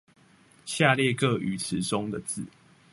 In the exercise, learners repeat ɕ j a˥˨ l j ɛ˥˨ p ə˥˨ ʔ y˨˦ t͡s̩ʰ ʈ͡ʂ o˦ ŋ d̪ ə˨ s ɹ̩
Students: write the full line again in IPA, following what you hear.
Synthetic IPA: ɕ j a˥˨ l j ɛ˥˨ k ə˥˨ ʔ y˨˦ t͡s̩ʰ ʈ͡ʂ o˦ ŋ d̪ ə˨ t͡s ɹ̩